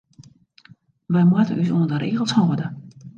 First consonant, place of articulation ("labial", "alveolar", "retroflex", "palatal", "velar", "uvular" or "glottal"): labial